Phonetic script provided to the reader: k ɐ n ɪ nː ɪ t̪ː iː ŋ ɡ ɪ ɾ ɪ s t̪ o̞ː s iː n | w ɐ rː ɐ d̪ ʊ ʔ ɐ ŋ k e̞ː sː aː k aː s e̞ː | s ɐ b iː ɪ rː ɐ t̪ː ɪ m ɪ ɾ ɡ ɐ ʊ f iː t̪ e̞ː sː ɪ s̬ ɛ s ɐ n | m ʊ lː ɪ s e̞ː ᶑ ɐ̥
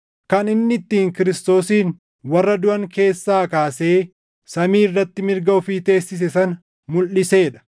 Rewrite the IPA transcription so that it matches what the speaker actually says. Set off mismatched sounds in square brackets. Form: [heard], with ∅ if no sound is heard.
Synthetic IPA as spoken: k ɐ n ɪ nː ɪ t̪ː iː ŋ [k] ɪ ɾ ɪ s t̪ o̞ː s iː n | w ɐ rː ɐ d̪ ʊ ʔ ɐ ŋ k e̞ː sː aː k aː s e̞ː | s ɐ [m] iː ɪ rː ɐ t̪ː ɪ m ɪ ɾ ɡ ɐ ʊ f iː t̪ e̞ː sː ɪ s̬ ɛ s ɐ n | m ʊ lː ɪ s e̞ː ᶑ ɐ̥